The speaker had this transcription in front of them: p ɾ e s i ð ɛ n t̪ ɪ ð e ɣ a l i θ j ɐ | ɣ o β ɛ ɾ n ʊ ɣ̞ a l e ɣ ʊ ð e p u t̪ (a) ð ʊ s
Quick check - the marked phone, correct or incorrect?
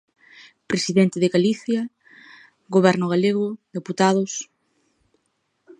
correct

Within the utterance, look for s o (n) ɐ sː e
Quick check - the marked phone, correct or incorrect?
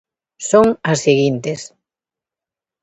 incorrect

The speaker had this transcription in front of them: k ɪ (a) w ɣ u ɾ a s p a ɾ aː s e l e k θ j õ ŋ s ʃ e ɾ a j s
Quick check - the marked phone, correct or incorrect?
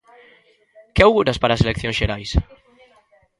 correct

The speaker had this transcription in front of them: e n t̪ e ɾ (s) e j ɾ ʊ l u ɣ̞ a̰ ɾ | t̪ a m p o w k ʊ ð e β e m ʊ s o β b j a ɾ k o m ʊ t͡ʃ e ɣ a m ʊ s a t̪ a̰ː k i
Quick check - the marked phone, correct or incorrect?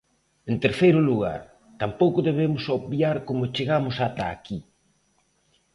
incorrect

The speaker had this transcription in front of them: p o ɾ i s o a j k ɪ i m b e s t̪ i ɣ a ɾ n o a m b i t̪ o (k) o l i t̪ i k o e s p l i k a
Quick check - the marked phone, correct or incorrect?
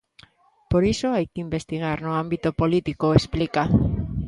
incorrect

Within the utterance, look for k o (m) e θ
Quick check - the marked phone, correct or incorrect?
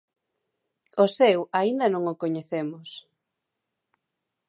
incorrect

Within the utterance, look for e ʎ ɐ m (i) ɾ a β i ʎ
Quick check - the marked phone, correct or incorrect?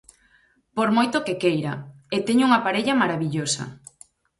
incorrect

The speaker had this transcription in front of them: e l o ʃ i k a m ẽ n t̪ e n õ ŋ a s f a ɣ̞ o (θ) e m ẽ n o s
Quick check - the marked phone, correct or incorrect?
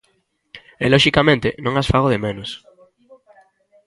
incorrect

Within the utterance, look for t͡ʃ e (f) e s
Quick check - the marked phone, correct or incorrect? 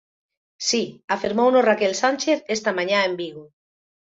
incorrect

